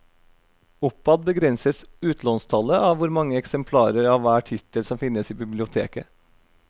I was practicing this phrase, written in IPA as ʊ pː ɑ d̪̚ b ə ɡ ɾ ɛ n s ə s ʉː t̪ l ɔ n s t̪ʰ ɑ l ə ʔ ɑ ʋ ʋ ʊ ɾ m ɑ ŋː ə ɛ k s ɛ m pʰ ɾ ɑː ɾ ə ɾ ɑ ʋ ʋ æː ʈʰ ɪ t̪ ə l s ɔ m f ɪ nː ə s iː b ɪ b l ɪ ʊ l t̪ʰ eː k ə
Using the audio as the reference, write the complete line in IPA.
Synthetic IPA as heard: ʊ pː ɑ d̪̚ b ə ɡ ɾ ɛ n s ə s ʉː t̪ l ɔ n s t̪ʰ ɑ l ə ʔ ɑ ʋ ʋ ʊ ɾ m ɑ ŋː ə ɛ k s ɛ m pʰ l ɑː ɾ ə ɾ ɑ ʋ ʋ æː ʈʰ ɪ t̪ ə l s ɔ m f ɪ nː ə s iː b ɪ b l ɪ ʊ t̪ʰ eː k ə